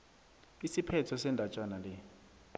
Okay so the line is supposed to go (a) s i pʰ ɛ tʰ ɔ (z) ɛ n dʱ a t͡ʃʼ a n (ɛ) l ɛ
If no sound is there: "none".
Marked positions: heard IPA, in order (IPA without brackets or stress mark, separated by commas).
i, s, a